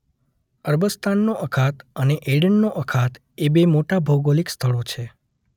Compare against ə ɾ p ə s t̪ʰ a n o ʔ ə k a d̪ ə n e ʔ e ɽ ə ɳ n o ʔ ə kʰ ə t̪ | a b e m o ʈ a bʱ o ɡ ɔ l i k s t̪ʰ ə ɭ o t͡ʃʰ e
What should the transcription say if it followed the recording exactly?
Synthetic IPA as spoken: ə ɾ b ə s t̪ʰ a nː o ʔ ə kʰ a t̪ ə n e ʔ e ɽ ə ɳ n o ʔ ə kʰ a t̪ | e b e m o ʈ a bʱ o ɡ o l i k s t̪ʰ ə ɭ o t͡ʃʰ e